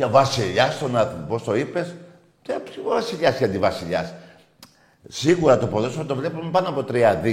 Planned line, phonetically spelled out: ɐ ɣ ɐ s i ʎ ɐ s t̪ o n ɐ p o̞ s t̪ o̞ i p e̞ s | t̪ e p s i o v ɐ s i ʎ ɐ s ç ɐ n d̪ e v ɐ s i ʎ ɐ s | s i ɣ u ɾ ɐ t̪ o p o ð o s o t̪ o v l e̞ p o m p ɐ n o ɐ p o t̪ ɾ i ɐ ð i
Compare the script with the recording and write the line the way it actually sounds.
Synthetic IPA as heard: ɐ v ɐ s i ʎ ɐ s t̪ o n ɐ p o̞ s t̪ o̞ i p e̞ s | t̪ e p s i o v ɐ s i ʎ ɐ s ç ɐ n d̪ i v ɐ s i ʎ ɐ s | s i ɣ u ɾ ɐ t̪ o p o ð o s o t̪ o v l e̞ p u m p ɐ n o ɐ p o t̪ ɾ i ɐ ð i